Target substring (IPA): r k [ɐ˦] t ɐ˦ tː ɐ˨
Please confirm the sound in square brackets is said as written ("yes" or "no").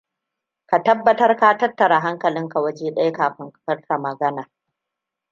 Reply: no